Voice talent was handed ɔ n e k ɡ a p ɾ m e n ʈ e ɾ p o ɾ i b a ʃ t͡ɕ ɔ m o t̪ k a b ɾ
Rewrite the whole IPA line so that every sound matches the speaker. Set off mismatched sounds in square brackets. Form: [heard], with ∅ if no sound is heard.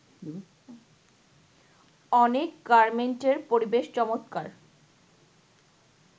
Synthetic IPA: ɔ n e k ɡ a [∅] ɾ m e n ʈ e ɾ p o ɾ i b [e] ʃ t͡ɕ ɔ m o t̪ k a [∅] ɾ